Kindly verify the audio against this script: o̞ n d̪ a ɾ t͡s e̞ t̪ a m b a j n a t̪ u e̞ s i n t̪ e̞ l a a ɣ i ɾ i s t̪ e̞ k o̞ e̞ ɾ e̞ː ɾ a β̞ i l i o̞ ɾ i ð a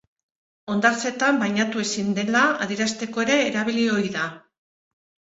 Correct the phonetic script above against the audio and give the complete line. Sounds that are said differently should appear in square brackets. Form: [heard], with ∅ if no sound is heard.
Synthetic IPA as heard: o̞ n d̪ a ɾ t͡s e̞ t̪ a m b a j [ɲ] a t̪ u e̞ s i n [d̪] e̞ l a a [ð] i ɾ [a] s t̪ e̞ k o̞ e̞ ɾ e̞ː ɾ a β̞ i l i o̞ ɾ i ð a